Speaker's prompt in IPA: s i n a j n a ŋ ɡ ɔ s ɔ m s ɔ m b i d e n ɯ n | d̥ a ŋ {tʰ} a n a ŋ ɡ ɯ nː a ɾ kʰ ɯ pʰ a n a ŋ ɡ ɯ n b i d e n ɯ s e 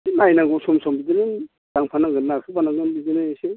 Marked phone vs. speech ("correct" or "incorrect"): incorrect